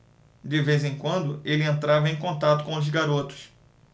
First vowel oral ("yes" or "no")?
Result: yes